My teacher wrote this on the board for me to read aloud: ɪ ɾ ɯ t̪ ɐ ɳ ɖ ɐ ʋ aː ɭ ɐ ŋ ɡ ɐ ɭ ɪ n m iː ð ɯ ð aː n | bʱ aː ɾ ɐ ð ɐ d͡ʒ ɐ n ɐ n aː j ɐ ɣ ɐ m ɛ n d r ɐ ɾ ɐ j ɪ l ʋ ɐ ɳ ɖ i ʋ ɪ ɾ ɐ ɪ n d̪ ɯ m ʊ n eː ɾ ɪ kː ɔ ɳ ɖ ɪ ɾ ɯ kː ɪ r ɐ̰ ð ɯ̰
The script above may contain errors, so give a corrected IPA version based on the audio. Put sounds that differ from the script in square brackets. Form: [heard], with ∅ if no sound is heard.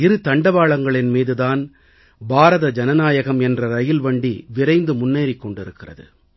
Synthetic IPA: ɪ ɾ ɯ t̪ ɐ ɳ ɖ ɐ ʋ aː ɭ ɐ ŋ ɡ ɐ ɭ ɪ n m iː ð ɯ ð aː n | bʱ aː ɾ ɐ ð ɐ d͡ʒ ɐ n ɐ n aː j ɐ ɣ ɐ m ɛ n d r ɐ ɾ ɐ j ɪ l ʋ ɐ ɳ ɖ i ʋ ɪ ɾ ɐ ɪ n d̪ ɯ m ʊ [nː] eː ɾ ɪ kː ɔ ɳ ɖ ɪ ɾ ɯ kː ɪ r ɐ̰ ð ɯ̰